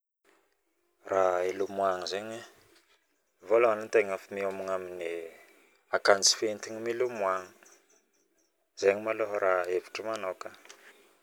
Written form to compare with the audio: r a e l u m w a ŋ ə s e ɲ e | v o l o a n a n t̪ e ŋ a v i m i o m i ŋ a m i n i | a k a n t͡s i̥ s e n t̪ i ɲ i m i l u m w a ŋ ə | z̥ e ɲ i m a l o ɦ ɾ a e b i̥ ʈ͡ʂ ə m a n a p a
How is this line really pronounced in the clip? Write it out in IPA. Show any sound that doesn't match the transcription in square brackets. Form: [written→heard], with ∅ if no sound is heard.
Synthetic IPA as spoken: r a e l u m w a ŋ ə [s→z] e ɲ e | v o l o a n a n t̪ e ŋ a [v→f] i m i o m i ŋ a m i n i | a k a n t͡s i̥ [s→f] e n t̪ i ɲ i m i l u m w a ŋ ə | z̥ e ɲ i m a l o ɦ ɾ a e [b→v] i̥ ʈ͡ʂ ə m a n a [p→k] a